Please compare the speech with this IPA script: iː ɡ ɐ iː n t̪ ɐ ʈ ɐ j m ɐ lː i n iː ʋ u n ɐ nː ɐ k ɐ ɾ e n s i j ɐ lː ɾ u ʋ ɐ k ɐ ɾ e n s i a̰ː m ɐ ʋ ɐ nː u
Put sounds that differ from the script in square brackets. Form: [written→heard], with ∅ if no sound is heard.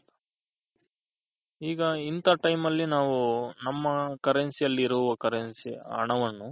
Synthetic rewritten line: iː ɡ ɐ [iː→i] n t̪ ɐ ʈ ɐ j m ɐ lː i n [iː→aː] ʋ u n ɐ [nː→mː] ɐ k ɐ ɾ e n s i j ɐ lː ɾ u ʋ ɐ k ɐ ɾ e n s i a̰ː [m→ɳ] ɐ ʋ ɐ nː u